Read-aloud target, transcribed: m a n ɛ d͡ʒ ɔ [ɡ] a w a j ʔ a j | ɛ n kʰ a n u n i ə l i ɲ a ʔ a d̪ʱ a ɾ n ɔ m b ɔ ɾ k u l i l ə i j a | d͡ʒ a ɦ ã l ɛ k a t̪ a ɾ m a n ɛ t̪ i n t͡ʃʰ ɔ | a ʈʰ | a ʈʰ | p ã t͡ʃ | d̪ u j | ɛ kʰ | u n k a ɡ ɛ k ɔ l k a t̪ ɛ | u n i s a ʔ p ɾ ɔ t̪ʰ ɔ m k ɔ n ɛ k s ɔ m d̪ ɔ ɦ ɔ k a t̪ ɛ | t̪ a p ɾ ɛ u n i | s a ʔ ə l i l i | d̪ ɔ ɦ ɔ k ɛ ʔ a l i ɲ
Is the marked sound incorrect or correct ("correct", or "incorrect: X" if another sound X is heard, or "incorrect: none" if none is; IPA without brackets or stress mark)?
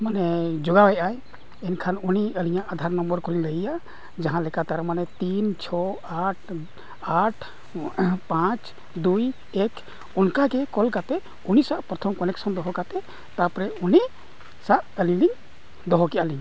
correct